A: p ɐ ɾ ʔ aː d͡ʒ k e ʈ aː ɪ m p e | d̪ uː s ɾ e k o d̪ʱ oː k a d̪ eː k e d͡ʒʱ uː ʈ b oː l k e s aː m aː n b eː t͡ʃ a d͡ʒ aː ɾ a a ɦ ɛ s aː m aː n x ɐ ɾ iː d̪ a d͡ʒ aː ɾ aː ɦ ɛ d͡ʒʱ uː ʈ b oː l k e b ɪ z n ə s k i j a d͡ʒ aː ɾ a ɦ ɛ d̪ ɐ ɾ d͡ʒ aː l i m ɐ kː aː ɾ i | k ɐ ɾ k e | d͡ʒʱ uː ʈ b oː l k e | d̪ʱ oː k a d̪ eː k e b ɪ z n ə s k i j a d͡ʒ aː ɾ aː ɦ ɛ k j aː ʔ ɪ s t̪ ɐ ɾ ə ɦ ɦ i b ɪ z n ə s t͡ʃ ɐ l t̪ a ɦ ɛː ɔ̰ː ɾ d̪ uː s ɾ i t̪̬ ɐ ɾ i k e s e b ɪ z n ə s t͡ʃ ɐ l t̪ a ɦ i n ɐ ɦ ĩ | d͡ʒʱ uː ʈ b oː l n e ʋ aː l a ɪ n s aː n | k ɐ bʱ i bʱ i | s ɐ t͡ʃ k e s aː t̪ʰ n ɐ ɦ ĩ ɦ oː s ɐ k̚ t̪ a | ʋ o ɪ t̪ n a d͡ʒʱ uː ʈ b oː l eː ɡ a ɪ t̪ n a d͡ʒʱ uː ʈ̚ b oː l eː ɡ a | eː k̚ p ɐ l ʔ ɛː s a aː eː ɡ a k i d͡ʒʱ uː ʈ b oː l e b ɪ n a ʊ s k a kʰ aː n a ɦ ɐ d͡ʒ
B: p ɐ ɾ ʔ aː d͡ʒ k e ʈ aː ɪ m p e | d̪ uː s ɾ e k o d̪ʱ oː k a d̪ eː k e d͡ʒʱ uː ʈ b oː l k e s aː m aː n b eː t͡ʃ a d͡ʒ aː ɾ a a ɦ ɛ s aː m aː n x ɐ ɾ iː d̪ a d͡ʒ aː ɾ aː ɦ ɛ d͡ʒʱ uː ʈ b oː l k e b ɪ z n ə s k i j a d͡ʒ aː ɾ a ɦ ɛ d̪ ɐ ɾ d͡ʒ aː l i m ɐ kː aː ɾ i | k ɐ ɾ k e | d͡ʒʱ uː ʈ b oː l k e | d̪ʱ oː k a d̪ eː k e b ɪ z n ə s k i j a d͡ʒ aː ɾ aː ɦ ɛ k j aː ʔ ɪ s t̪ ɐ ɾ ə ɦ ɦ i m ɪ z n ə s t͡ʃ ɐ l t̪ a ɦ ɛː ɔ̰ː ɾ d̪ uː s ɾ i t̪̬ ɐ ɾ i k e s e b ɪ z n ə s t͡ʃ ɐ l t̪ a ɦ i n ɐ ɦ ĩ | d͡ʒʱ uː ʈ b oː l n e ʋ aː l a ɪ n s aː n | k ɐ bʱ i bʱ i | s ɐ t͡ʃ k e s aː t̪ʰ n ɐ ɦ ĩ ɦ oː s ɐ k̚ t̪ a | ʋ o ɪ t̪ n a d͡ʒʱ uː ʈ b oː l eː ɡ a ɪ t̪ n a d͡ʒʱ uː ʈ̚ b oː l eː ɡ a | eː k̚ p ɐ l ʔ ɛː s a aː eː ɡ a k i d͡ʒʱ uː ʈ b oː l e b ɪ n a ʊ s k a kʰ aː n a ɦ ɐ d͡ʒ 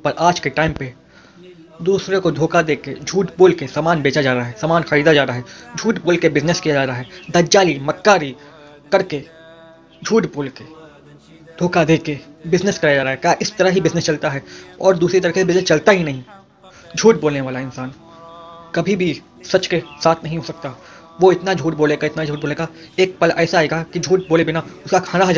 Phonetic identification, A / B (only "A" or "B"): A